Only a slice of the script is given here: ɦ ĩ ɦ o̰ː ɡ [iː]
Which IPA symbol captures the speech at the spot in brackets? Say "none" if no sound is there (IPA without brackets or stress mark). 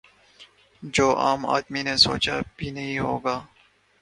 aː